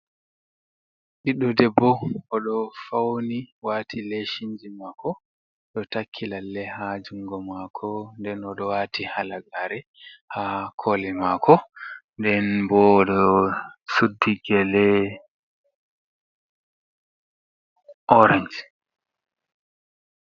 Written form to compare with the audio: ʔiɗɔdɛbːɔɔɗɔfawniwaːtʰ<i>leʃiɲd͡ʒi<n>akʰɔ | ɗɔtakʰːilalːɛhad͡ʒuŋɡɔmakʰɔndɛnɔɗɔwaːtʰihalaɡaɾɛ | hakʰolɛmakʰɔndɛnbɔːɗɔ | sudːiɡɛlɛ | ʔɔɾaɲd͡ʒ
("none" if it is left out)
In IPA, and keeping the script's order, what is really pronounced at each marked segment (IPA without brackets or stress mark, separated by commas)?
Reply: i, m